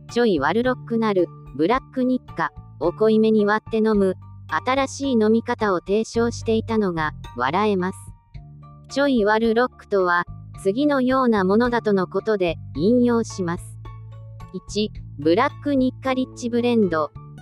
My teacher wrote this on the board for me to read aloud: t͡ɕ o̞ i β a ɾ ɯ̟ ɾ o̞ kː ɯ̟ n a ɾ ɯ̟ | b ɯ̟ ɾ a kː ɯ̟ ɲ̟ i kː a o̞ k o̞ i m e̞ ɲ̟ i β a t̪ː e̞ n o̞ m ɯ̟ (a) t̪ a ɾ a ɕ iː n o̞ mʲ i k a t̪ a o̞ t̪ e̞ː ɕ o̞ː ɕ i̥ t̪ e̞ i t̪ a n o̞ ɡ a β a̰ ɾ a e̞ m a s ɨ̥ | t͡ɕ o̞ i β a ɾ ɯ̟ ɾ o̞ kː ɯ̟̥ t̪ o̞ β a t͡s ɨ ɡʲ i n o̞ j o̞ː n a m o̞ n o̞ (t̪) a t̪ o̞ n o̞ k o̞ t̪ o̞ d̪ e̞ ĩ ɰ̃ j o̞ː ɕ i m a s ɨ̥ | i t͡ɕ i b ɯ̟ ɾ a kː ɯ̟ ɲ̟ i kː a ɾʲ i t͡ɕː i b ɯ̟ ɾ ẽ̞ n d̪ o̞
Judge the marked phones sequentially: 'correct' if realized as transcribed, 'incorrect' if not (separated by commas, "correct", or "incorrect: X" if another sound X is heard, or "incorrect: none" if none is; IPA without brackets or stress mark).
correct, incorrect: d̪